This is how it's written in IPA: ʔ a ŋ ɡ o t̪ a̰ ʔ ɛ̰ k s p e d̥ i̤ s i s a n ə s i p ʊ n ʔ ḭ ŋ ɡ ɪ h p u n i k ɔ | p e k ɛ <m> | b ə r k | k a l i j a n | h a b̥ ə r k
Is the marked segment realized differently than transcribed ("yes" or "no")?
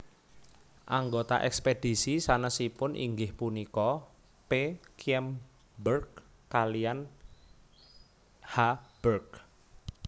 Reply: no